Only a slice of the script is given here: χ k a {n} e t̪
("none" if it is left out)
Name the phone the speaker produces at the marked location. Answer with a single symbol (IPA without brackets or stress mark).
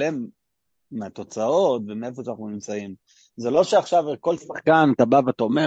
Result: n